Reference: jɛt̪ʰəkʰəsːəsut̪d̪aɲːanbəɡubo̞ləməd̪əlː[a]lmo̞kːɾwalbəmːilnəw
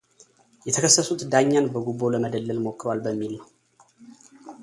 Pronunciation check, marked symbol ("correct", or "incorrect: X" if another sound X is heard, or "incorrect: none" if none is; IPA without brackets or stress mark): incorrect: ə